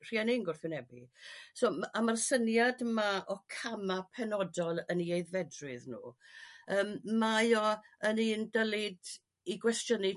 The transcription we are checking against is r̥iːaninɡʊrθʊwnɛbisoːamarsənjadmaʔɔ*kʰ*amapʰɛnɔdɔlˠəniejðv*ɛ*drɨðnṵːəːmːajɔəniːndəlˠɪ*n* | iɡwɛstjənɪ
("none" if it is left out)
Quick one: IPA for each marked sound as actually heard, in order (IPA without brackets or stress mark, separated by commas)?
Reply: kʰ, ɛ, d